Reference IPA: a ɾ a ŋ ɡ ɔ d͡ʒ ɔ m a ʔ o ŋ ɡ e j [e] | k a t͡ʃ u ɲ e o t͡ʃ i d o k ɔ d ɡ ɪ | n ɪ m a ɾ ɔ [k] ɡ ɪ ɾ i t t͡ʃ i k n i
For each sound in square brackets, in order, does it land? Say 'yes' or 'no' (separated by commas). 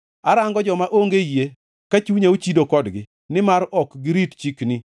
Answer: yes, yes